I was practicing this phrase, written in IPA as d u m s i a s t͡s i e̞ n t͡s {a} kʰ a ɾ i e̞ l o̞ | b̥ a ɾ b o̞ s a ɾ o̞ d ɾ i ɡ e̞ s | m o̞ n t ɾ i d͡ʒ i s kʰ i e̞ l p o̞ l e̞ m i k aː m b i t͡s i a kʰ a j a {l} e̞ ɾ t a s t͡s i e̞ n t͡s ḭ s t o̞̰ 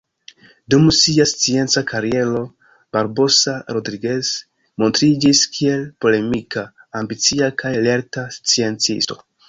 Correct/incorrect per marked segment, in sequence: correct, correct

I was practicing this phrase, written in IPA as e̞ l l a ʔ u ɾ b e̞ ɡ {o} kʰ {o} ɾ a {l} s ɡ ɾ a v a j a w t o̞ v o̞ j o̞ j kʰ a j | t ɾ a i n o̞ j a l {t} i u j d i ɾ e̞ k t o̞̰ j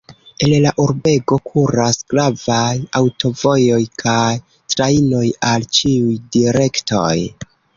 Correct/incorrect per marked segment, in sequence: correct, incorrect, incorrect, incorrect

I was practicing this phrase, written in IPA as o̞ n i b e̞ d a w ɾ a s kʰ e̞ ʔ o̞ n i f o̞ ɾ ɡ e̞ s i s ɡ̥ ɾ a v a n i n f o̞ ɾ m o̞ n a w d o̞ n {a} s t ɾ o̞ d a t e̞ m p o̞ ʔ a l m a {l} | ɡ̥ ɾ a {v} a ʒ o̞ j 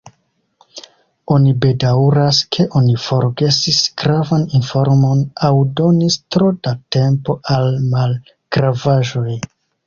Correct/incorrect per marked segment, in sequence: incorrect, correct, correct

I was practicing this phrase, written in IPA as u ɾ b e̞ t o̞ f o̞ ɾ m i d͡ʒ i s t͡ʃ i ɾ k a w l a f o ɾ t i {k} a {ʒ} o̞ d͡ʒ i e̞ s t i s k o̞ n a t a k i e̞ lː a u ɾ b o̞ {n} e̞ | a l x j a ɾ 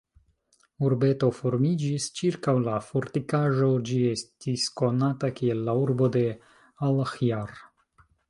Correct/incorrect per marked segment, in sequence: correct, correct, incorrect

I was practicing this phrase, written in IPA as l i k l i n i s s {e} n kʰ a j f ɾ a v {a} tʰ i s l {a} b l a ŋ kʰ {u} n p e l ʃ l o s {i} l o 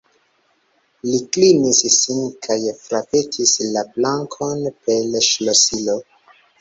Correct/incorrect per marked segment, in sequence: incorrect, incorrect, correct, incorrect, correct

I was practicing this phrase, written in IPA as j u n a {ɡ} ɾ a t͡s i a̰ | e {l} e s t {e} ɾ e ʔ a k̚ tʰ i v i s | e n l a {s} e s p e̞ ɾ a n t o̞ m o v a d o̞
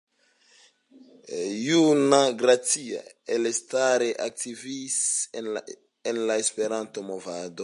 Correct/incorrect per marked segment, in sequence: correct, correct, incorrect, incorrect

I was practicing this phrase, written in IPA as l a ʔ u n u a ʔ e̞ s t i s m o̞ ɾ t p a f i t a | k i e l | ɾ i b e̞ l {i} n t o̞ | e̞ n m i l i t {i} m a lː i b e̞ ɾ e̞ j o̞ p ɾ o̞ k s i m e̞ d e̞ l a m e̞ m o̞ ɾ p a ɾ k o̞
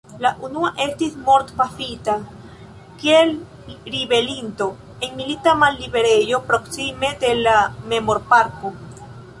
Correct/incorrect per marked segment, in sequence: correct, incorrect

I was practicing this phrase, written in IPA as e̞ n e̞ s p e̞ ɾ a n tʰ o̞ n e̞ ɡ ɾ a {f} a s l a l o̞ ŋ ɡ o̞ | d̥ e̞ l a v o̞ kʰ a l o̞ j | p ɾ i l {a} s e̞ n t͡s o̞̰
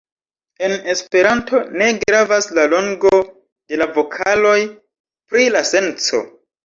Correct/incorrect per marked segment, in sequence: incorrect, correct

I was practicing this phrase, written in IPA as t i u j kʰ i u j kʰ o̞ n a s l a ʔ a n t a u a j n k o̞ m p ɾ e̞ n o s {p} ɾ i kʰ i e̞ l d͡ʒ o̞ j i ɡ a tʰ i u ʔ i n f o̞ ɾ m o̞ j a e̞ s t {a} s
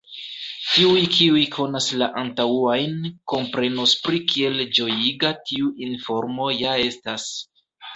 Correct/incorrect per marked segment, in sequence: correct, correct

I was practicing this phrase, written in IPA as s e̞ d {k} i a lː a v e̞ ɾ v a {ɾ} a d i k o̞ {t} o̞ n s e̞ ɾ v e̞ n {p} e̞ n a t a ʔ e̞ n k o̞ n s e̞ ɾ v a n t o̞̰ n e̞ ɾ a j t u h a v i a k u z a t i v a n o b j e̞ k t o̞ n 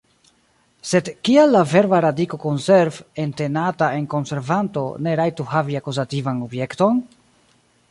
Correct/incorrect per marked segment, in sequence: correct, correct, incorrect, incorrect

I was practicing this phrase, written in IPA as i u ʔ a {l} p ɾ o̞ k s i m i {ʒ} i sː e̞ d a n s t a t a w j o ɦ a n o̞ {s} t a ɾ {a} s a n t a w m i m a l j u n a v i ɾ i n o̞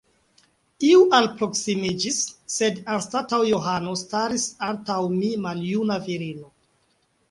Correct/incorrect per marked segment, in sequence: correct, incorrect, correct, incorrect

